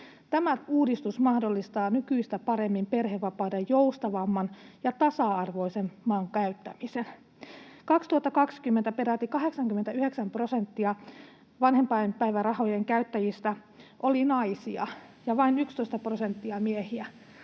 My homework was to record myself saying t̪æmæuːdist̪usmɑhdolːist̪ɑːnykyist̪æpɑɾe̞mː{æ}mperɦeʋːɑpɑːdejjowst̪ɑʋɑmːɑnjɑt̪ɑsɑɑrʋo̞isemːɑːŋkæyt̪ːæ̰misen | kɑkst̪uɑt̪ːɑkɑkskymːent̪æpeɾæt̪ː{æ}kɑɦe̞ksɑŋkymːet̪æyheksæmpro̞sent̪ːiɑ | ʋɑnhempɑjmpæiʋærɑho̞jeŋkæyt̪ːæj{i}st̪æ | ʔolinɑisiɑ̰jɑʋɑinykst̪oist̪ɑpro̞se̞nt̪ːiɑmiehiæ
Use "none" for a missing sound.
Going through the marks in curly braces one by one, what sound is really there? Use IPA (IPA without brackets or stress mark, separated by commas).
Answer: i, i, i